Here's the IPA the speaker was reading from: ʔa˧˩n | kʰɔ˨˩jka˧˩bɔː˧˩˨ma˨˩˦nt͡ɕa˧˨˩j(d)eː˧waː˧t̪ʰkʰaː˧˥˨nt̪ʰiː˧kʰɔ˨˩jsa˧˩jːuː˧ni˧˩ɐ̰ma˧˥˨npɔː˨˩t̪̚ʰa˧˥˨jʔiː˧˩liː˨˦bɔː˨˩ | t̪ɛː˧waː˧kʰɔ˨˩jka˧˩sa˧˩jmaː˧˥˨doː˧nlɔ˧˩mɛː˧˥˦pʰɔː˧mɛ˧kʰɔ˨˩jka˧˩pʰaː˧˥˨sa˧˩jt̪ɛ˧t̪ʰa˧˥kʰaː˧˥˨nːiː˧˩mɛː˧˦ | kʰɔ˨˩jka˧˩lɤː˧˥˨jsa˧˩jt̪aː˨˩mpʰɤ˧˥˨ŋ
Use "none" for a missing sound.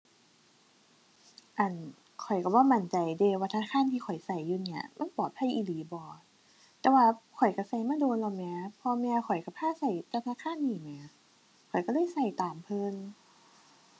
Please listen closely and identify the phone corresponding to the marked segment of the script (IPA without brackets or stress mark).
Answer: d